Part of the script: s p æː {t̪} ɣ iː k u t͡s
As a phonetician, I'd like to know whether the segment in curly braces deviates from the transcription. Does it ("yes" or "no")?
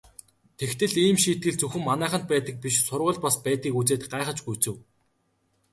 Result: no